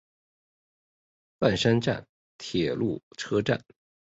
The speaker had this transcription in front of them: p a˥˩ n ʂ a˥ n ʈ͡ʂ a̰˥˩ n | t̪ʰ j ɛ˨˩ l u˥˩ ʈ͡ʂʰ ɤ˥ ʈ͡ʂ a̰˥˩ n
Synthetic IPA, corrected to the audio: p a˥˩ n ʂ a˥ n ʈ͡ʂ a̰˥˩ n | t̪ʰ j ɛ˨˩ l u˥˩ ʈ͡ʂʰ ɤ˥ ʈ͡ʂ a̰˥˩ n